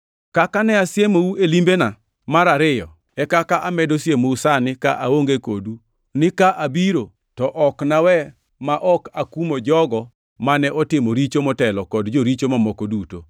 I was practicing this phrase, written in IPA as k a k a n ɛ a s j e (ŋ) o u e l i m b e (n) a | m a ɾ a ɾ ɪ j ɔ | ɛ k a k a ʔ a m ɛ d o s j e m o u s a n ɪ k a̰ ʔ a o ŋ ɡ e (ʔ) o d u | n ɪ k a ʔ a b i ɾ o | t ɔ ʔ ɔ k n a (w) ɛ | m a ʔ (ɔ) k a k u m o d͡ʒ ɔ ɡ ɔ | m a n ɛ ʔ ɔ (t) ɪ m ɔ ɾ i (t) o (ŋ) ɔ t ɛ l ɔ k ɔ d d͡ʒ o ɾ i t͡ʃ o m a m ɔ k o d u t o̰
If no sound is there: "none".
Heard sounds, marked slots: m, n, k, w, ɔ, t, t͡ʃ, m

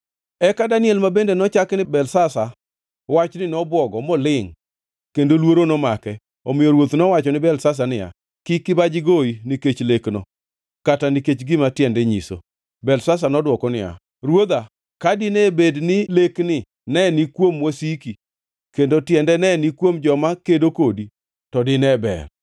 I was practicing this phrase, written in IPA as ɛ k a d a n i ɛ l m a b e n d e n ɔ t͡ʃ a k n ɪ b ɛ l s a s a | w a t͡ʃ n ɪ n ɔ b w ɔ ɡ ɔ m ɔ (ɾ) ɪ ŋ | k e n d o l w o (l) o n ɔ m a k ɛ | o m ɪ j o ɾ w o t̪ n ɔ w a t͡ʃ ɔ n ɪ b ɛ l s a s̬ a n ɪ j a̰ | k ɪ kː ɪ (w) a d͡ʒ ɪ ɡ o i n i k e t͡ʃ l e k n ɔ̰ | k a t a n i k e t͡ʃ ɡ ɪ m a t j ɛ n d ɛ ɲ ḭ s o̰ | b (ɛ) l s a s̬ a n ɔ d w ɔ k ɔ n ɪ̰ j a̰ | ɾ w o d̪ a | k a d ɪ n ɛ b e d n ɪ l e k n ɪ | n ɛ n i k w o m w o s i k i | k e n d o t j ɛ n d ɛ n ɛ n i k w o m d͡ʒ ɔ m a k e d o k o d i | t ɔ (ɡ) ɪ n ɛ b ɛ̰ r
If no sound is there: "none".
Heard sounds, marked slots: l, ɾ, b, ɛ, d

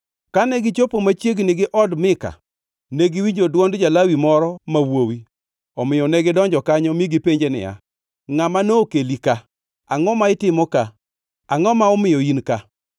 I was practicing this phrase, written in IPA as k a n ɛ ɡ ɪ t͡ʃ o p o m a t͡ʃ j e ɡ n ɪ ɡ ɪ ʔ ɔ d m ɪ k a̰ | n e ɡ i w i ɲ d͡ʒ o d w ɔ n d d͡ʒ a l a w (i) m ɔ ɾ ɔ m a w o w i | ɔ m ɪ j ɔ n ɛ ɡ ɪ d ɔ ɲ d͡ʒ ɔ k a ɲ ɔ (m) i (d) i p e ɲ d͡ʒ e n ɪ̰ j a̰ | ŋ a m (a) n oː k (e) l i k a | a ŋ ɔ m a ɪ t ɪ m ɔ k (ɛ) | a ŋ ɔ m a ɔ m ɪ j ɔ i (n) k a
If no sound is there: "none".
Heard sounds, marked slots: i, m, ɡ, a, e, a, n

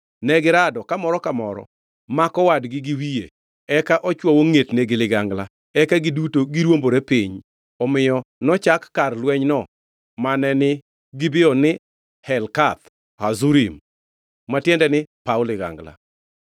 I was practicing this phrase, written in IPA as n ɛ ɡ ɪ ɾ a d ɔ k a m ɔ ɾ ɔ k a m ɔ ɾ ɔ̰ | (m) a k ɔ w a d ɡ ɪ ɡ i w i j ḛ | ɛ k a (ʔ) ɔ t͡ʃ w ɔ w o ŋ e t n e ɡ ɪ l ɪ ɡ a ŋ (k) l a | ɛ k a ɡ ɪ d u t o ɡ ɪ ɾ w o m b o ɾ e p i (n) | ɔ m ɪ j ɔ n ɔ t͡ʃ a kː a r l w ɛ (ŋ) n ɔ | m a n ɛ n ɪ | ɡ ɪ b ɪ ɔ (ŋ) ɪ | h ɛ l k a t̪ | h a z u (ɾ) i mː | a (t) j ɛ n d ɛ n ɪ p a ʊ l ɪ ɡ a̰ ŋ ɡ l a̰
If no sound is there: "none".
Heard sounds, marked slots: m, ʔ, ɡ, ɲ, ɲ, n, ɾ, t

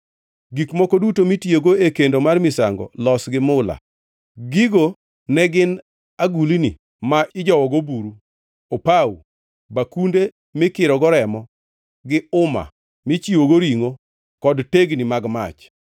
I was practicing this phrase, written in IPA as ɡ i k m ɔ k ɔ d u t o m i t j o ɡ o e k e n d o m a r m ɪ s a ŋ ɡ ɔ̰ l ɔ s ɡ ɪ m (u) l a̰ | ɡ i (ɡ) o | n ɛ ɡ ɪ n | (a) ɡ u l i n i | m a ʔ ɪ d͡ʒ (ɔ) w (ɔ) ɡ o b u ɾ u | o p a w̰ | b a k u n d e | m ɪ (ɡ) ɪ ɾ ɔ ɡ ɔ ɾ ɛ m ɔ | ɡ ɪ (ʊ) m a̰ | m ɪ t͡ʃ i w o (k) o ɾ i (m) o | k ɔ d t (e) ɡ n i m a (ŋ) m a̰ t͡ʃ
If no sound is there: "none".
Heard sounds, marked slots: ʊ, ɡ, a, ɔ, ɔ, k, ʊ, ɡ, ŋ, e, ɡ

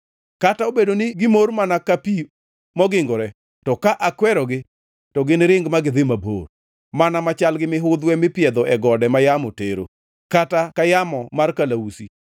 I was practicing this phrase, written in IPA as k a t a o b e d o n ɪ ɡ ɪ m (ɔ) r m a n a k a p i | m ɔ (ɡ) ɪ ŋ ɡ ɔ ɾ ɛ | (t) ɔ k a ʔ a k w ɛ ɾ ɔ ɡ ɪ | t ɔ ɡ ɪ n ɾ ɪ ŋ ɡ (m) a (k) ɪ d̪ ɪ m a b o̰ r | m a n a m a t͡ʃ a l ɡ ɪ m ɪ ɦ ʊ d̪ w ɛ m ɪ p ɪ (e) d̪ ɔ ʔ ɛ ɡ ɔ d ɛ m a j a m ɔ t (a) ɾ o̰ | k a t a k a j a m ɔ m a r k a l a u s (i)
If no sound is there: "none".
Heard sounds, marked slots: o, ɡ, t, m, ɡ, ɛ, e, i

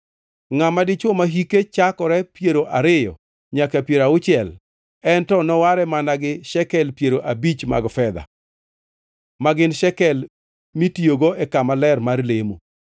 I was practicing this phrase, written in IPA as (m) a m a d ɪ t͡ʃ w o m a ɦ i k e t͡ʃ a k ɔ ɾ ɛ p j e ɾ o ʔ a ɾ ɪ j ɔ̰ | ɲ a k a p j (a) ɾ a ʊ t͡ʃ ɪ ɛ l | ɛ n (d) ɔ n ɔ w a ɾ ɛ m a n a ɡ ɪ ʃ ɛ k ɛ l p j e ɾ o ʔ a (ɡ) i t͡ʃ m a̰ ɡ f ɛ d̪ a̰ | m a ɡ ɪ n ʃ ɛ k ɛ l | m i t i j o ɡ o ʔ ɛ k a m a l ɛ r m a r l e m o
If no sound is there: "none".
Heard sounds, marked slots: ŋ, e, t, b

